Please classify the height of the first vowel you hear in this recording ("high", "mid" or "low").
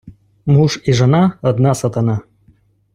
high